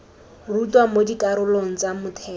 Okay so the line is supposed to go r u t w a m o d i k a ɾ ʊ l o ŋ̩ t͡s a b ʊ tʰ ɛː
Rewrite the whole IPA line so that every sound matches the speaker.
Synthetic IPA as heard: r u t w a m o d i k a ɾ ʊ l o ŋ̩ t͡s a m ʊ tʰ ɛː